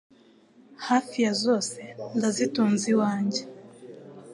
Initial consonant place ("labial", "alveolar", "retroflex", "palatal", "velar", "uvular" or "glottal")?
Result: glottal